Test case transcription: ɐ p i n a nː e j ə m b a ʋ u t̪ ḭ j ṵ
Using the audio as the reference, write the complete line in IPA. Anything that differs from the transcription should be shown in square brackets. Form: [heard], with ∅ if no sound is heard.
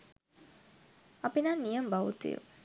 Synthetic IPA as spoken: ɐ p i n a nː [i] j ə m b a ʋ u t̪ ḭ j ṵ